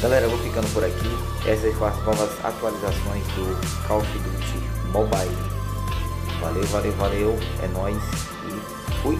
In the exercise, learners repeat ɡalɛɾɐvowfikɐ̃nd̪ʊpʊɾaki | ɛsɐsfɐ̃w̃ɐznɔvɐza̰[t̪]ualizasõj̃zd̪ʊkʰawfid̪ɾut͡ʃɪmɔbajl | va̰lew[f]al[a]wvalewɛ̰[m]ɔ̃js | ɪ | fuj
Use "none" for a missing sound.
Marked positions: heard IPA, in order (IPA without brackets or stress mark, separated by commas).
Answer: t̪, v, e, n